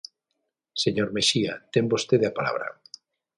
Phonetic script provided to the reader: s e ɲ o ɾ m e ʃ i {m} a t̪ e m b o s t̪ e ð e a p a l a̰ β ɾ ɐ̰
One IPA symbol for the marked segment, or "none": none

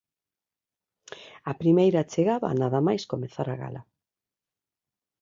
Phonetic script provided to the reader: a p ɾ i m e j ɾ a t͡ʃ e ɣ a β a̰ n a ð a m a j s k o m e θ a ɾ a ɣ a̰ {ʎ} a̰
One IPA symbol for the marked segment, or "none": l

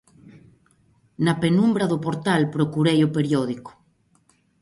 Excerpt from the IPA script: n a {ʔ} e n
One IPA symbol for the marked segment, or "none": p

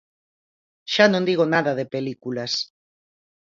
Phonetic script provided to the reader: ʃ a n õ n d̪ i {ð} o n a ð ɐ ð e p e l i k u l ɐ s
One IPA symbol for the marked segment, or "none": ɣ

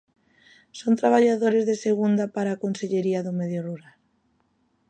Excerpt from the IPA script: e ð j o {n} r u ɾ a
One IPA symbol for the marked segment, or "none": none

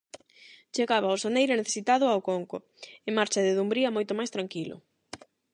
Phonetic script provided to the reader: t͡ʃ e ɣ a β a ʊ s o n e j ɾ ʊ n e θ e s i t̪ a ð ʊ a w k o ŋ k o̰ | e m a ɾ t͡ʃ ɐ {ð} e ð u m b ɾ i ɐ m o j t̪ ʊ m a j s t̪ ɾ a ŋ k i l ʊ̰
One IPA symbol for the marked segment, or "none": ð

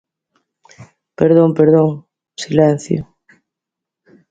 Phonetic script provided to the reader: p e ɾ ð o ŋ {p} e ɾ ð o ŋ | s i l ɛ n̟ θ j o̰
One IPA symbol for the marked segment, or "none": p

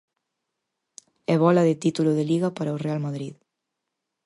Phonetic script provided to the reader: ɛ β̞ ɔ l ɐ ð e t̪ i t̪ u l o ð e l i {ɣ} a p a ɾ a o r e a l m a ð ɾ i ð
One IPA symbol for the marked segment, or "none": ɣ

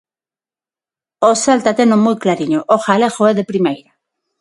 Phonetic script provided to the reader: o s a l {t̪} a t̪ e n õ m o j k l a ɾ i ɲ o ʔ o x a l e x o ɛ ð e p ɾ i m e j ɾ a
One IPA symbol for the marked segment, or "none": t̪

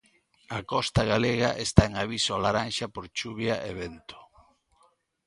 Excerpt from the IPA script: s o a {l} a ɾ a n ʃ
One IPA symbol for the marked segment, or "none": l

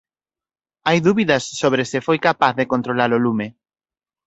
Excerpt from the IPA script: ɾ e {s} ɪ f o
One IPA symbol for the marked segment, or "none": s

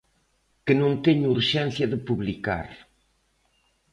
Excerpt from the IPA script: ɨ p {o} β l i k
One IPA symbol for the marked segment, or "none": u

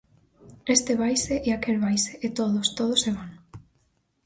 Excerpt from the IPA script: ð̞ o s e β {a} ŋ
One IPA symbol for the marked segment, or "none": a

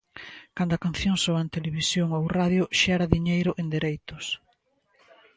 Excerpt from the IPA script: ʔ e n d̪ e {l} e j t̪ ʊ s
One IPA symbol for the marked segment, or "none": ɾ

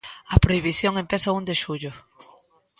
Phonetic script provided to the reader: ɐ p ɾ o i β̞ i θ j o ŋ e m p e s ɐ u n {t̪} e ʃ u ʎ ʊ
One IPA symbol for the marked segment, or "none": d̪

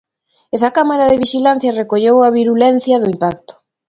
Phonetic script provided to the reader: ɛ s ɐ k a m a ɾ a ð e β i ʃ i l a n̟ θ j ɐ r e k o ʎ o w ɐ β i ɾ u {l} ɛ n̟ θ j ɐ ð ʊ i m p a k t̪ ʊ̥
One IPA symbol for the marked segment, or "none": l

